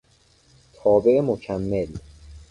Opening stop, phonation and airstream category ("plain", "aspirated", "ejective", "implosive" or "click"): aspirated